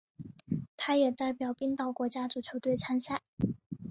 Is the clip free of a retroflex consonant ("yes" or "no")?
yes